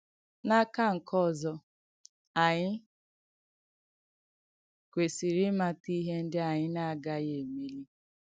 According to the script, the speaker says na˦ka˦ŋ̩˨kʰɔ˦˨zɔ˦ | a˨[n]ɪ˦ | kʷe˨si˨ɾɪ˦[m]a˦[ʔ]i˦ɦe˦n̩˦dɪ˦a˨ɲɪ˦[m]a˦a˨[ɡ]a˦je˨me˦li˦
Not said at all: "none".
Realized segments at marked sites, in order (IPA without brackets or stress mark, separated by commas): ɲ, m, t, n, ɡ